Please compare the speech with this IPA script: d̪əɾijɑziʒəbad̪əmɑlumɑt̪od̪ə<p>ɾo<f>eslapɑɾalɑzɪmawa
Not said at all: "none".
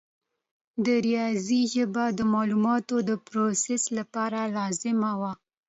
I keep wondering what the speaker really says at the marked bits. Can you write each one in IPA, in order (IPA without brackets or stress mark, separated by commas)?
p, s